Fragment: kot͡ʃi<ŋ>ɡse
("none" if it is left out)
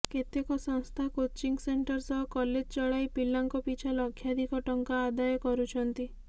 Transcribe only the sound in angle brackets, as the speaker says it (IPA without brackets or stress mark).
ŋ